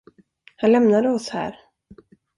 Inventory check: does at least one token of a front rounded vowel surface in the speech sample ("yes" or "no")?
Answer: no